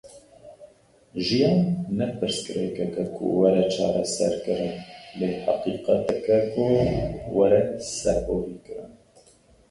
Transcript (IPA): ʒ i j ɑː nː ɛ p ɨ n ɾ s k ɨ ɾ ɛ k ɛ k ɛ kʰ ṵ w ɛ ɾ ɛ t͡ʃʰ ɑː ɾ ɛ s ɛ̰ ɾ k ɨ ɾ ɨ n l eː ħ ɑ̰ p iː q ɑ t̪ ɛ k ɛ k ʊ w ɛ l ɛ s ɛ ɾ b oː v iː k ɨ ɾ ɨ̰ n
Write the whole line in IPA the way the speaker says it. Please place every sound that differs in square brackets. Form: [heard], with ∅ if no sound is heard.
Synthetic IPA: ʒ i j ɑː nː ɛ p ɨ [∅] ɾ s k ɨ ɾ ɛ k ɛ k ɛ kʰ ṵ w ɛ ɾ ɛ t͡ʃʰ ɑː ɾ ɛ s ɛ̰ ɾ k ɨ ɾ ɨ n l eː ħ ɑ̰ [q] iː q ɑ t̪ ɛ k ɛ k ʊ w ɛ [ɾ] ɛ s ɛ ɾ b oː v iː k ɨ ɾ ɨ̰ n

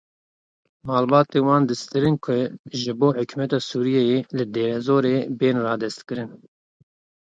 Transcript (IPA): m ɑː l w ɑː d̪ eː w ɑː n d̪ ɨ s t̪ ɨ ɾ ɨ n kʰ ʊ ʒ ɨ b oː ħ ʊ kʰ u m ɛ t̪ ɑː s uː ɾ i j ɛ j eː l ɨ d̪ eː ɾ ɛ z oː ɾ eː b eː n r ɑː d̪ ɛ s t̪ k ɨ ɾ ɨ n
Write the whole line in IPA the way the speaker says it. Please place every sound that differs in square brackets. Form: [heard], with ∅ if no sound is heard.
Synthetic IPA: m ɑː l [b] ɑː [t̪] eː w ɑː n d̪ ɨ s t̪ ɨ ɾ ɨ n kʰ ʊ ʒ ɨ b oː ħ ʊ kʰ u m ɛ t̪ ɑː s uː ɾ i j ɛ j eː l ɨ d̪ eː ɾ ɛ z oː ɾ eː b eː n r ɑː d̪ ɛ s t̪ k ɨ ɾ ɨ n

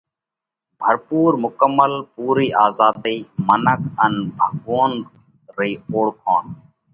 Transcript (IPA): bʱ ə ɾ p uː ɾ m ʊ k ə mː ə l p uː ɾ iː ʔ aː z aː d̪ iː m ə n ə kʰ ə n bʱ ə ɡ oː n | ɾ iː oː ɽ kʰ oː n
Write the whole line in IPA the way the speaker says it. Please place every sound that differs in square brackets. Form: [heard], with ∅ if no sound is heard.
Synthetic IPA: bʱ ə ɾ p uː ɾ m ʊ k ə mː ə l p uː ɾ iː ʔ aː z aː d̪ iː m ə n ə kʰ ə n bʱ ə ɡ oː n | ɾ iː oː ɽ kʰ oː n

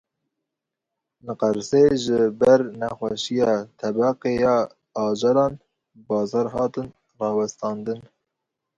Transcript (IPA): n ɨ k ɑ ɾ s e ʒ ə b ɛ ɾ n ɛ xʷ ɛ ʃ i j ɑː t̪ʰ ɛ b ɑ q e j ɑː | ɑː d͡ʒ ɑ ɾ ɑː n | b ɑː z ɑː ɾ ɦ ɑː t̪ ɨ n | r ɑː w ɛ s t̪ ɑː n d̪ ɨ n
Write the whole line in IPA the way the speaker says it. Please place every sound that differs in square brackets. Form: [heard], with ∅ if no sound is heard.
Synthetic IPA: n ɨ [q] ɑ ɾ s e ʒ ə b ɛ ɾ n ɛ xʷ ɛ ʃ i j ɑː t̪ʰ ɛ b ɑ q e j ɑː | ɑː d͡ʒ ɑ ɾ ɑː n | b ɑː z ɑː ɾ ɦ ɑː t̪ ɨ n | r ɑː w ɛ s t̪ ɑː n d̪ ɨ n

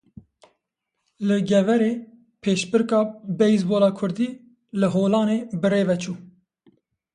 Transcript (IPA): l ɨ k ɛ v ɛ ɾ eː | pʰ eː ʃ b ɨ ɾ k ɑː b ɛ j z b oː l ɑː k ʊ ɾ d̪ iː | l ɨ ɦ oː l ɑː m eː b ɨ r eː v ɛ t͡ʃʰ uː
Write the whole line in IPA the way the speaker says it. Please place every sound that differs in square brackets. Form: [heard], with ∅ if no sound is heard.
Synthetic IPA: l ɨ [ɡ] ɛ v ɛ ɾ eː | pʰ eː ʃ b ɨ ɾ k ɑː b ɛ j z b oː l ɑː [kʰ] ʊ ɾ d̪ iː | l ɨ ɦ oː l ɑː [n] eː b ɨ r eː v ɛ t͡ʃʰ uː

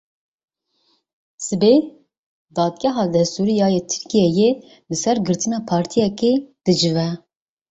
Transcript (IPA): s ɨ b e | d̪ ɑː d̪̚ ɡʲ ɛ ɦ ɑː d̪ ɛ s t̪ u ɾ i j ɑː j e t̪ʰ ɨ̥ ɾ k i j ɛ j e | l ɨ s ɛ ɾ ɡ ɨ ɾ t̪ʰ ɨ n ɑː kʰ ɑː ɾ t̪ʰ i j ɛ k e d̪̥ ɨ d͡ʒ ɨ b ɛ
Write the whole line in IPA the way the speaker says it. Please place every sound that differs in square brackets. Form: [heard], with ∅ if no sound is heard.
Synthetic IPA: s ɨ b e | d̪ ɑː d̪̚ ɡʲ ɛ ɦ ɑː d̪ ɛ s t̪ u ɾ i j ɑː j e t̪ʰ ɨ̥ ɾ k i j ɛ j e | l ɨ s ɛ ɾ ɡ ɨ ɾ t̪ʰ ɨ n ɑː [pʰ] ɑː ɾ t̪ʰ i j ɛ k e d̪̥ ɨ d͡ʒ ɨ [v] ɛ

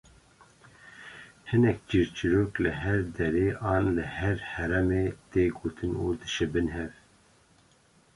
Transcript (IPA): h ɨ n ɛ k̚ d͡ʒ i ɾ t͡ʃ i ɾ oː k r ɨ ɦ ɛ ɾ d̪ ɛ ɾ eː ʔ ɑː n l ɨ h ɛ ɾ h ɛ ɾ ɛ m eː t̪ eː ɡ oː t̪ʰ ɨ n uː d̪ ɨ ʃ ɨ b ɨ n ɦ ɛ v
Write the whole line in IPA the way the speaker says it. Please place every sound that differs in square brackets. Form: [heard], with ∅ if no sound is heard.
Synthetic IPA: h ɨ n ɛ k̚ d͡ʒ i ɾ t͡ʃ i ɾ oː k [l] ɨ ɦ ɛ ɾ d̪ ɛ ɾ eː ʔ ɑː n l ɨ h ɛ ɾ h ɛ ɾ ɛ m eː t̪ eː ɡ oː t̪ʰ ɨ n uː d̪ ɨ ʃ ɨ b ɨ n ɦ ɛ v

